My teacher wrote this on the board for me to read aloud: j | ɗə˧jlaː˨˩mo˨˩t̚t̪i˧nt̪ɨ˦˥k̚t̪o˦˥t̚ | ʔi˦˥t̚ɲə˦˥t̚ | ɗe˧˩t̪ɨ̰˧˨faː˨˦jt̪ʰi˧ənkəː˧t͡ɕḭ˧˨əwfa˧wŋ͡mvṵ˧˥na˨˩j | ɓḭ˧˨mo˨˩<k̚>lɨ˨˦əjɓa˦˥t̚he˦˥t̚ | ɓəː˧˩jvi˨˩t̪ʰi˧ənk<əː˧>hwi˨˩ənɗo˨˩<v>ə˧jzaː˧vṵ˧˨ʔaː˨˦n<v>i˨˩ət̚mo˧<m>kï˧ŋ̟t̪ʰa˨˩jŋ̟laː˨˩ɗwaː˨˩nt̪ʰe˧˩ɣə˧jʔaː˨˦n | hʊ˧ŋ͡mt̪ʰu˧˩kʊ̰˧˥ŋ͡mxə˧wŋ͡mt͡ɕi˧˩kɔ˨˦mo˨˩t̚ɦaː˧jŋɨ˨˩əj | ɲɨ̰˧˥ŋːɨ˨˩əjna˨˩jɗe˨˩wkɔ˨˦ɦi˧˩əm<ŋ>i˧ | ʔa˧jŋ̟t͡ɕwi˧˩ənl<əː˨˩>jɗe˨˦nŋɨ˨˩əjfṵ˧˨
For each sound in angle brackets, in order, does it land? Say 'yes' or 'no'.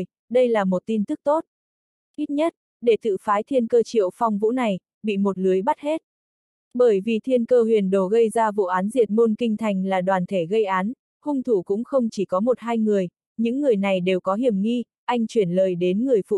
no, yes, no, no, no, yes, yes

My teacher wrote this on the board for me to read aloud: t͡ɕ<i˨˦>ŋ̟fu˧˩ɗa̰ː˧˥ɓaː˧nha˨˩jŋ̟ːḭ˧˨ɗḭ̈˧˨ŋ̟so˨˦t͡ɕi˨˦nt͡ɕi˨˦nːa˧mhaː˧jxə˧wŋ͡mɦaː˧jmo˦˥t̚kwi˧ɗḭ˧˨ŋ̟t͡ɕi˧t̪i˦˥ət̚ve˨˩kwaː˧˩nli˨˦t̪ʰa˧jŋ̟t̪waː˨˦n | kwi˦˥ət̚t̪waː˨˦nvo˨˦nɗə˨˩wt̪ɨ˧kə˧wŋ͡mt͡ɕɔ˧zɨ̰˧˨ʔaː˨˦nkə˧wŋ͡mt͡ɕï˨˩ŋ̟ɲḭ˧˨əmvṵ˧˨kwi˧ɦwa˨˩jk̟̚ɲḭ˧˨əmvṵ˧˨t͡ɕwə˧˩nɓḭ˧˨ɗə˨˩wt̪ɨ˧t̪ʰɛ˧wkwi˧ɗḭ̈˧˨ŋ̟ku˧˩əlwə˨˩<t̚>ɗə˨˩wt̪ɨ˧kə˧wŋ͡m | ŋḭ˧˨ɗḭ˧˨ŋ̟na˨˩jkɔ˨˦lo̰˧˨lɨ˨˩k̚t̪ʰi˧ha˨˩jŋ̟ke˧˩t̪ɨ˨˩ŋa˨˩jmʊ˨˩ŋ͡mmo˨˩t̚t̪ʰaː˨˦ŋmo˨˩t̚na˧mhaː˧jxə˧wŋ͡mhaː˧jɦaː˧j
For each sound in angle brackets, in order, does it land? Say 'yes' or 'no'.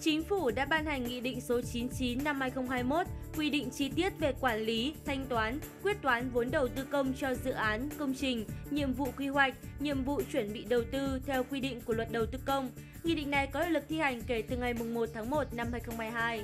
yes, yes

